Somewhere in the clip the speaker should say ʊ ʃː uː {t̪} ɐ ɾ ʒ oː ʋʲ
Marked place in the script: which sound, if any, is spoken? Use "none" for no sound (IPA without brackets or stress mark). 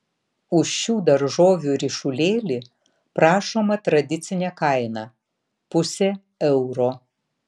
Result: d̪